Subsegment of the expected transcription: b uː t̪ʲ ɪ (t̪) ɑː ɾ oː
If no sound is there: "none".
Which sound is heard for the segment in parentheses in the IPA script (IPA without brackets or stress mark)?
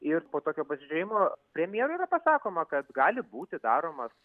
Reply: d̪